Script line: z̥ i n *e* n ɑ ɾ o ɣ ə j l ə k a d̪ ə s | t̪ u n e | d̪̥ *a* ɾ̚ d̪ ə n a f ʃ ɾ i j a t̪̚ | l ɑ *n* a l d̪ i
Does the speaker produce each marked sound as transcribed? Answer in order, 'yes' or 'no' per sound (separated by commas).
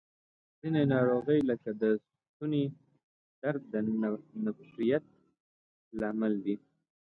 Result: yes, yes, no